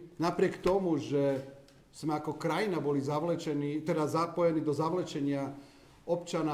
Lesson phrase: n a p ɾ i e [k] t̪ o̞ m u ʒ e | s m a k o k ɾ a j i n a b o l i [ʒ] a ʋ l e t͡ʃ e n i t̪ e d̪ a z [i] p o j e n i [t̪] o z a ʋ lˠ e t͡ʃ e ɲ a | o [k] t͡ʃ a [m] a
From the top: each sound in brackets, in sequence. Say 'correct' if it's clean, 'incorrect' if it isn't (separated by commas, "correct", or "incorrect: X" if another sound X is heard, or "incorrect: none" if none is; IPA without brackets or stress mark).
correct, incorrect: z, incorrect: a, incorrect: d̪, incorrect: p, incorrect: n